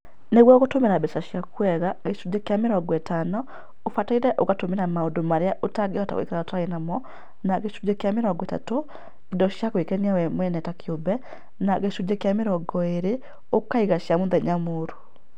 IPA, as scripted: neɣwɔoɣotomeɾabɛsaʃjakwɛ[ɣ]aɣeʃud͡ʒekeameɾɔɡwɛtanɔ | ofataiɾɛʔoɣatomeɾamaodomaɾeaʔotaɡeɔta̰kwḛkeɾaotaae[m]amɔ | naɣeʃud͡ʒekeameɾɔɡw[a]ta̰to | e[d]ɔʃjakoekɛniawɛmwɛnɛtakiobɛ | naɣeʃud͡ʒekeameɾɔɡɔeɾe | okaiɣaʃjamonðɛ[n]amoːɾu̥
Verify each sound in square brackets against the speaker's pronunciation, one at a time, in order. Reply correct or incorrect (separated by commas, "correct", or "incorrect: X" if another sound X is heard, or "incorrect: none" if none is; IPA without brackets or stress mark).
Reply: correct, incorrect: n, incorrect: ɛ, correct, incorrect: ɲ